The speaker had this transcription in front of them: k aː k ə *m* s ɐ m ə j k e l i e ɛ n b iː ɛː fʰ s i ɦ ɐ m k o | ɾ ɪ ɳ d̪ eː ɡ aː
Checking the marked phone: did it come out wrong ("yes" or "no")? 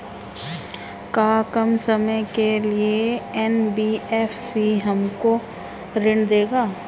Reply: no